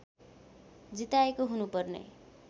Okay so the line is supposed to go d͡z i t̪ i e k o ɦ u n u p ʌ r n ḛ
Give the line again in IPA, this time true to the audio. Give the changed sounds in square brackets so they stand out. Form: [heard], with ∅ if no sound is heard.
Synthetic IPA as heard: d͡z i t̪ [a] e k o ɦ u n u p ʌ r n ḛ